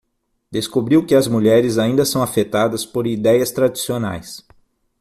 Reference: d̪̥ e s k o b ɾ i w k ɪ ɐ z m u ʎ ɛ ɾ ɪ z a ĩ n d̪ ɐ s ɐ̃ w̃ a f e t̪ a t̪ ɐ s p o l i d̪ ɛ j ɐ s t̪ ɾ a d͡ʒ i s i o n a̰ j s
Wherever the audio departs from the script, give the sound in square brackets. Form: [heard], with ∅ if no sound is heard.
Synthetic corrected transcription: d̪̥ e s k o b ɾ i w k ɪ ɐ z m u ʎ ɛ ɾ ɪ z a ĩ n d̪ ɐ s ɐ̃ w̃ a f e t̪ a [d̪] ɐ s p o [ɾ] i d̪ ɛ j ɐ s t̪ ɾ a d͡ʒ i s i o n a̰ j s